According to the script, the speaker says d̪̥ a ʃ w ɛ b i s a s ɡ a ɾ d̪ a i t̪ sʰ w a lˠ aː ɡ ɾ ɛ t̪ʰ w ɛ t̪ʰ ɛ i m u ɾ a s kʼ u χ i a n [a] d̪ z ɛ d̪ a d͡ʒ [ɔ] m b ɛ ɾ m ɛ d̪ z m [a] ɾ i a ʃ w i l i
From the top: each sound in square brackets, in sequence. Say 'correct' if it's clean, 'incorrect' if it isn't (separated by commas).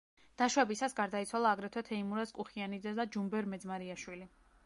incorrect, incorrect, correct